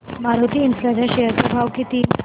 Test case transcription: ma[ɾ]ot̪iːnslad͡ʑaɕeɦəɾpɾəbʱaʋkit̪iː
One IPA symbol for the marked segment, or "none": ɾ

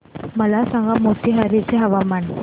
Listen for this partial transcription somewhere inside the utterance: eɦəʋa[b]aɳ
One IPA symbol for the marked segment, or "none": m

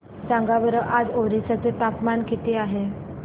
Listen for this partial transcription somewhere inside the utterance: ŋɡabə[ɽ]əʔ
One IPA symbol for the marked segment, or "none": ɾ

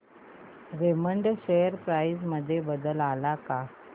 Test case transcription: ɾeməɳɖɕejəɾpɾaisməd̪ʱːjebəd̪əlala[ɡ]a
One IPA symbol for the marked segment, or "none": k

